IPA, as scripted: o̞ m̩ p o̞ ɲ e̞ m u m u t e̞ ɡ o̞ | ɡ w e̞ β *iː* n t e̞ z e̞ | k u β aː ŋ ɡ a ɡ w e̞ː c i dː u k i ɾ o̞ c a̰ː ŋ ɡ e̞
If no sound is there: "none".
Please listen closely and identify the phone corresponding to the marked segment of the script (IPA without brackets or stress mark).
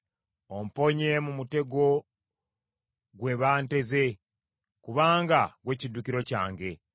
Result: aː